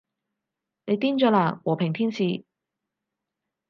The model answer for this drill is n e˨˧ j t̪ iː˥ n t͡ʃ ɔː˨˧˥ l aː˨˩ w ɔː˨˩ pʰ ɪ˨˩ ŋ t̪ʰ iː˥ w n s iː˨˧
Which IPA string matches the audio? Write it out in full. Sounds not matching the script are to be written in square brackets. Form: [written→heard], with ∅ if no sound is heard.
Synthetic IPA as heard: n e˨˧ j t̪ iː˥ n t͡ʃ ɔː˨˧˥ l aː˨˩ w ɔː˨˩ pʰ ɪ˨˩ ŋ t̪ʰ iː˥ [w→∅] n s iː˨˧